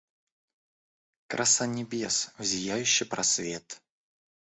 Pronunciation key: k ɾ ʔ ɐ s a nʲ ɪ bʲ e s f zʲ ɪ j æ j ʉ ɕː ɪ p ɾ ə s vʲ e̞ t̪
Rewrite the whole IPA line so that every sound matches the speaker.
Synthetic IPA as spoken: k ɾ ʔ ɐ s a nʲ ɪ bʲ e s v zʲ ɪ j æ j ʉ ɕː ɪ p ɾ ɐ s vʲ e̞ t̪